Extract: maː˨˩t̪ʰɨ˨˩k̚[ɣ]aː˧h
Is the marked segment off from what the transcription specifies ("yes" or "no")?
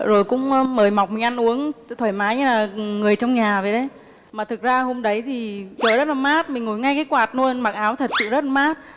yes